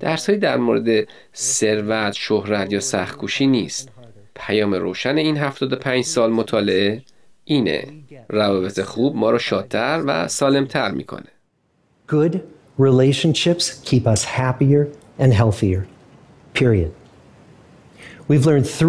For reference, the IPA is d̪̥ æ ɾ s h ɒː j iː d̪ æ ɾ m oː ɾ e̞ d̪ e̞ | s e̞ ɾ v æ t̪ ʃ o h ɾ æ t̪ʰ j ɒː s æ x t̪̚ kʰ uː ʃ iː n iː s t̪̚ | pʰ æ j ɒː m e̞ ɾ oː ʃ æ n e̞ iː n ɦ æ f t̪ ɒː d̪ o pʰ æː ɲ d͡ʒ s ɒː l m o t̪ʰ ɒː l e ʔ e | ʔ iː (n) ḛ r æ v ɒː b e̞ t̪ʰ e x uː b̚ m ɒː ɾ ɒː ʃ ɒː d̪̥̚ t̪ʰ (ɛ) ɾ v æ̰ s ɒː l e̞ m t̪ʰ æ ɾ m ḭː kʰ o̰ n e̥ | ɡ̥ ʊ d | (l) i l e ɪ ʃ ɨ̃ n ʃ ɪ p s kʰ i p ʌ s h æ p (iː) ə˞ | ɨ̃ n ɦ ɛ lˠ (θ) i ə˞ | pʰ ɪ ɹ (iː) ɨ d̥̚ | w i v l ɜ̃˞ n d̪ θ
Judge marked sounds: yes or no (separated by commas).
yes, no, no, no, yes, no